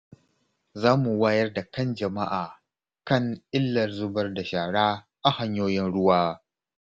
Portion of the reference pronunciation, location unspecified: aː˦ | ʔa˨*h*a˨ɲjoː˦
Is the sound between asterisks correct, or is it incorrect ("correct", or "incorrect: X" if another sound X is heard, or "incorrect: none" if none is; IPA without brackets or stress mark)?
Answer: correct